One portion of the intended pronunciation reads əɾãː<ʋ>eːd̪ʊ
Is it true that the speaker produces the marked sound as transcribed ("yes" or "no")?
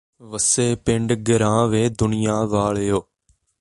yes